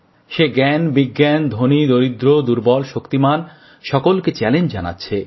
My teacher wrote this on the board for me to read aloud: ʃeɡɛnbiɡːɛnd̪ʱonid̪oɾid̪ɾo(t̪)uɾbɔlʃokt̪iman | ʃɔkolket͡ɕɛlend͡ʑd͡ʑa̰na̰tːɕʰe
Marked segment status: incorrect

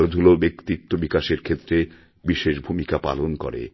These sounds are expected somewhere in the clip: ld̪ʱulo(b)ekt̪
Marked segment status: correct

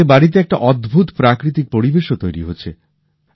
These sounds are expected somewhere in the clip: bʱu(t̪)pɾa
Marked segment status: correct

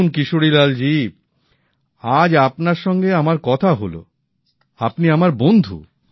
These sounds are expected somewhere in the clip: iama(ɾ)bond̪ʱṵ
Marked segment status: correct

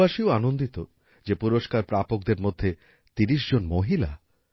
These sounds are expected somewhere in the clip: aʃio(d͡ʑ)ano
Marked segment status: incorrect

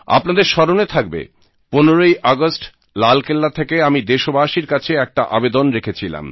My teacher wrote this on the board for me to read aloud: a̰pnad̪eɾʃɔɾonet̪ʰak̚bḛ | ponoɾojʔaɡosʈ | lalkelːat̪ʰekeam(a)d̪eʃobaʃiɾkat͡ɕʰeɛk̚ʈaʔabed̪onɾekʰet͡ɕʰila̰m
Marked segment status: incorrect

